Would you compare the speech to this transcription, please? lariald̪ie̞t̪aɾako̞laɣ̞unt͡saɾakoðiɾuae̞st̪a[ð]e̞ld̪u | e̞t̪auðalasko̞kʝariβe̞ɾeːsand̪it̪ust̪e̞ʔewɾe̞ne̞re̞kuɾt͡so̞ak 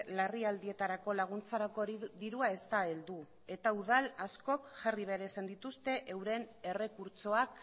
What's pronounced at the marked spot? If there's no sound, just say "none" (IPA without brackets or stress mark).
none